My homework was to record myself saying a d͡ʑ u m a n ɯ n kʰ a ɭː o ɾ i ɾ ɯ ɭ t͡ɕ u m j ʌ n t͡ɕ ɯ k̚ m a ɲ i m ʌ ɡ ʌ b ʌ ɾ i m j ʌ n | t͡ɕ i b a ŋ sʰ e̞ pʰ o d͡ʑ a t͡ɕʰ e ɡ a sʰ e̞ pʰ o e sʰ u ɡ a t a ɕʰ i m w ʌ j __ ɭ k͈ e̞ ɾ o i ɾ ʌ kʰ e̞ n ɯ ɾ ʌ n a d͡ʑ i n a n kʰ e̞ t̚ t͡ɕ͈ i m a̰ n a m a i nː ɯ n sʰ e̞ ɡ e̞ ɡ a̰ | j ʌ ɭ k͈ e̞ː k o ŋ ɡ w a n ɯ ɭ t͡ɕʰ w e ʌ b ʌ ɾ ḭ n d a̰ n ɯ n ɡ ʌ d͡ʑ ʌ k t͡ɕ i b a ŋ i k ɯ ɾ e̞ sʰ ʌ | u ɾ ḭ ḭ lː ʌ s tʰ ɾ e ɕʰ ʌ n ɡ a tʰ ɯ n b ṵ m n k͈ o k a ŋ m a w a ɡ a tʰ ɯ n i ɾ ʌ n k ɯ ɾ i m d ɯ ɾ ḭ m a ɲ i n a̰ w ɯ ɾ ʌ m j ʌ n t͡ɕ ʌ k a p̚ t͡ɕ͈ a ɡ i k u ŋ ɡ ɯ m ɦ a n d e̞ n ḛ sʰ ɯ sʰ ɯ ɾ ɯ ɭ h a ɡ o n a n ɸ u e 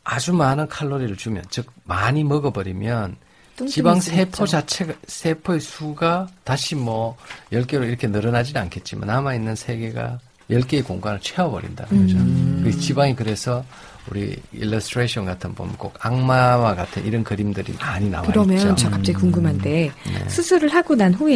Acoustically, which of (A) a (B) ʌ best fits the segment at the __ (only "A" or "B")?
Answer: B